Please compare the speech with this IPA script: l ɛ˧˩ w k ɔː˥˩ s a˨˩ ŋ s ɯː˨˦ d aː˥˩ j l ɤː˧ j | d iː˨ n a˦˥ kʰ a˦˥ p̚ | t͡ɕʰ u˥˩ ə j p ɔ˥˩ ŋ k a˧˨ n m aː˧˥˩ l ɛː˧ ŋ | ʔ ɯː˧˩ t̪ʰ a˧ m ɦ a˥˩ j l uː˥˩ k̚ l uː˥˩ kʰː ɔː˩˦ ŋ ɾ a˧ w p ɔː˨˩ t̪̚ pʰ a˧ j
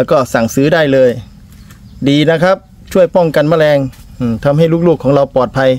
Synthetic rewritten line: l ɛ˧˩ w k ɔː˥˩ s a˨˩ ŋ s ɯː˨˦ d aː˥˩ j l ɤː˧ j | d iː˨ n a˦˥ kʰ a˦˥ p̚ | t͡ɕʰ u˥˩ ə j p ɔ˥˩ ŋ k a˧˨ n m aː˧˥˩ l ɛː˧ ŋ | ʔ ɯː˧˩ t̪ʰ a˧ m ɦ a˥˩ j l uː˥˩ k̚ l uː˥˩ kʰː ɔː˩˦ ŋ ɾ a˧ w p ɔː˨˩ t̪̚ pʰ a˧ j